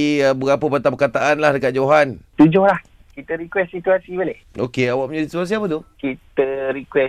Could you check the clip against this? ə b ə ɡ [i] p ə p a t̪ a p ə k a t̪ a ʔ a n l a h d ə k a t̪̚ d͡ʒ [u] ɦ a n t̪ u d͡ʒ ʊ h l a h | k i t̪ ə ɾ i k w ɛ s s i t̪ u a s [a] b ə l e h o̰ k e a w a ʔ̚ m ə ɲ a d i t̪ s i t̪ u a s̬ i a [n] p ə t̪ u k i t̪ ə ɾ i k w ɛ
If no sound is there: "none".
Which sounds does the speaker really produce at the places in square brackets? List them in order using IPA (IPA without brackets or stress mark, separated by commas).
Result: a, o, i, none